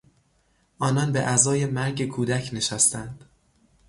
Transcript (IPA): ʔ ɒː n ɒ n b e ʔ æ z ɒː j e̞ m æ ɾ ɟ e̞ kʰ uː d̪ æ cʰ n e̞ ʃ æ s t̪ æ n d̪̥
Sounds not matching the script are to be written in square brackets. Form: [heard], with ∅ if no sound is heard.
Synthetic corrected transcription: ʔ ɒː n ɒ n b e ʔ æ z ɒː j e̞ m æ ɾ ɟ e̞ kʰ uː d̪ æ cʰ n e̞ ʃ æ s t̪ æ n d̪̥